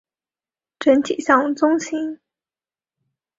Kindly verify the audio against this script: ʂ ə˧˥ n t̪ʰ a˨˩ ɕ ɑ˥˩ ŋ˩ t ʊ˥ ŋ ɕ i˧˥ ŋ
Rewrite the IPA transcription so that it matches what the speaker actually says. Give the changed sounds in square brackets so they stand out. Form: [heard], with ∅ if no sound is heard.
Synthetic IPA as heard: [ʈ͡ʂ] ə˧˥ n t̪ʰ [i˨˩] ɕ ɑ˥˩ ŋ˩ [t͡s] ʊ˥ ŋ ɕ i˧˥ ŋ